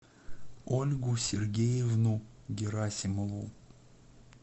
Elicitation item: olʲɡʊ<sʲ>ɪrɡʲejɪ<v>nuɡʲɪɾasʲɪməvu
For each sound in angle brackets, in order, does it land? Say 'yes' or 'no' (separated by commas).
yes, yes